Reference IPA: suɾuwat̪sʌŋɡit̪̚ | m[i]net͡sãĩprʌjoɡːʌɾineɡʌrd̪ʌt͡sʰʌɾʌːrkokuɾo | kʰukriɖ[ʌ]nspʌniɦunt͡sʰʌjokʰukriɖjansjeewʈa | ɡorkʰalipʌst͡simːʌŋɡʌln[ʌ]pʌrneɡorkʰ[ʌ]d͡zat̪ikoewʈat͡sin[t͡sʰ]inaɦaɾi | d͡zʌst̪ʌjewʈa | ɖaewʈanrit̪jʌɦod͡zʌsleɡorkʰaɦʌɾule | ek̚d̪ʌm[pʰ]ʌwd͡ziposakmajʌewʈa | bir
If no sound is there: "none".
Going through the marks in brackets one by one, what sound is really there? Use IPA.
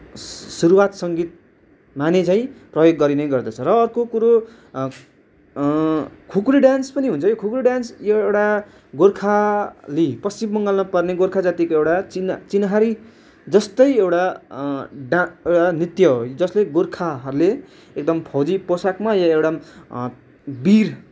a, a, ʌ, a, t͡s, pʰ

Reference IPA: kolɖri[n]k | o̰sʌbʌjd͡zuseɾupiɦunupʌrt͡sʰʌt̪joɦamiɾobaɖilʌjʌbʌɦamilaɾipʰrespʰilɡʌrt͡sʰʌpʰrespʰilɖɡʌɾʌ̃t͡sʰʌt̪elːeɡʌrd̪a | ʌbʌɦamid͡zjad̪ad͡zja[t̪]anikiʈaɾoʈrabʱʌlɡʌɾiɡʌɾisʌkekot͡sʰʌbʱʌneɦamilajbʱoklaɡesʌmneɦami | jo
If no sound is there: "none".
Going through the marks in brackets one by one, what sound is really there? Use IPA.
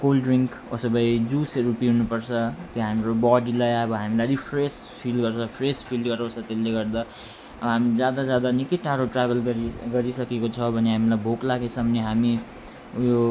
ŋ, d̪

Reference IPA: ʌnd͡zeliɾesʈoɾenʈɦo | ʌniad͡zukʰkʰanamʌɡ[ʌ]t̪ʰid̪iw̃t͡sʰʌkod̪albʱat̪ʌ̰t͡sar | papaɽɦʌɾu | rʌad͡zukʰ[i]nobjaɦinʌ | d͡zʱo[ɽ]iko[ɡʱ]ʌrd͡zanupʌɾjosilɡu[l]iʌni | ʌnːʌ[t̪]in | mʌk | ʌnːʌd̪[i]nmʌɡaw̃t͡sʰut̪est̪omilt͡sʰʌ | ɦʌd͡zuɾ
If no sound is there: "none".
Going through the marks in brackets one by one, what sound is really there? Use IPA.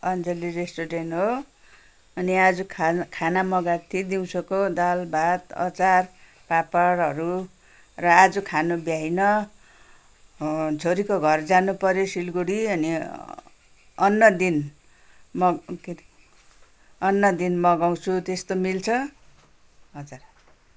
a, a, ɾ, ɡʱ, ɽ, d̪, i

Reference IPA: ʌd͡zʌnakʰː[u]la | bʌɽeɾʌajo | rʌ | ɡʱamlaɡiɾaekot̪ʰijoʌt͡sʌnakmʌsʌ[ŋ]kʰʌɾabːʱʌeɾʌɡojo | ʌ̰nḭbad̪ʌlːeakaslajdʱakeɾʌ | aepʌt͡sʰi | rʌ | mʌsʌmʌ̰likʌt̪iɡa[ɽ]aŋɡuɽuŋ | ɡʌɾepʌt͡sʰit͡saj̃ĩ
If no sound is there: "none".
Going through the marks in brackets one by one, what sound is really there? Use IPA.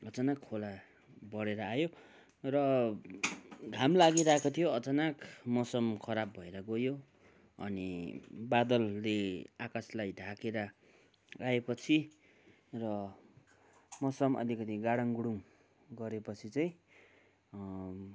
o, m, ɽ

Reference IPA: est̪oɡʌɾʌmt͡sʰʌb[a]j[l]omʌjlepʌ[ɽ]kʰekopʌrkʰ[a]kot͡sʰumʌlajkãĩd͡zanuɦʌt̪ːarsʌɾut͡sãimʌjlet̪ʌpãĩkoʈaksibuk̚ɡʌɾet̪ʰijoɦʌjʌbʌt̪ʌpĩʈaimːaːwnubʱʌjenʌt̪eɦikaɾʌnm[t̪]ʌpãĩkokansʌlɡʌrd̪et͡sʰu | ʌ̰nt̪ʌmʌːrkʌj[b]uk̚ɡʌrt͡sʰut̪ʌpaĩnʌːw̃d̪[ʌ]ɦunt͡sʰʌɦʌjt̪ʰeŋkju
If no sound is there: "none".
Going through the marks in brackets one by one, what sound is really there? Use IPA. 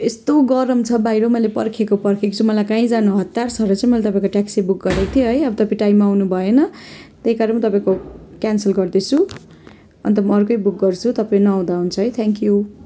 a, ɾ, r, e, t̪, b, a

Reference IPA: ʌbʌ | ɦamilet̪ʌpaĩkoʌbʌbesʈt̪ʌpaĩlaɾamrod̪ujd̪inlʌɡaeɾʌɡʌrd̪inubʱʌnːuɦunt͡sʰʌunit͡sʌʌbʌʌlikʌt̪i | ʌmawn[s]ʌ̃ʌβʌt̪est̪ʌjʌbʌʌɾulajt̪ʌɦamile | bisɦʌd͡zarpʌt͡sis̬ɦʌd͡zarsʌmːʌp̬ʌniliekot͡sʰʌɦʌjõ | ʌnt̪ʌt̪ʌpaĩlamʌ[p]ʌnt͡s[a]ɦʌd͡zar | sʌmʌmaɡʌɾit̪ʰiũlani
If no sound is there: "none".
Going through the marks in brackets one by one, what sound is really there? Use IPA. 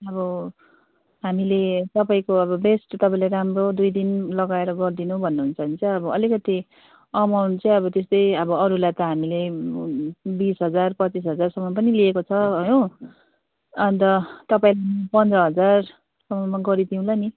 t͡s, p, ʌ

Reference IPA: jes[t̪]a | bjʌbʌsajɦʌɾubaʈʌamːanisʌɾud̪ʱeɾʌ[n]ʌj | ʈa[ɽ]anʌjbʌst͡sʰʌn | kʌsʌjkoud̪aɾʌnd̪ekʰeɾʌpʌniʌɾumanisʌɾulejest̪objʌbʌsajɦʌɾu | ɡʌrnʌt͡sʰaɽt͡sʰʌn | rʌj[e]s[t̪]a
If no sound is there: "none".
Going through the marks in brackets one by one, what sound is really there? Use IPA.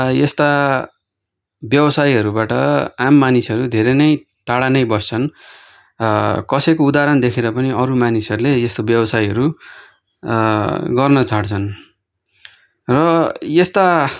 t̪, n, ɽ, e, t̪

